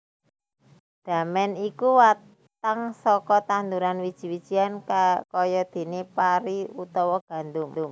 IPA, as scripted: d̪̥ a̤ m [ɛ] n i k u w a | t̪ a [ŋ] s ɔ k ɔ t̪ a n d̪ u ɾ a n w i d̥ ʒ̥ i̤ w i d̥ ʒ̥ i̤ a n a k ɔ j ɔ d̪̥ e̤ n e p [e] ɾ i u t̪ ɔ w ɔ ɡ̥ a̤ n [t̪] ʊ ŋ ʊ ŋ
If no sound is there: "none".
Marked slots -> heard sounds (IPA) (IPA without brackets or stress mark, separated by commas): ɛ, ŋ, a, d̪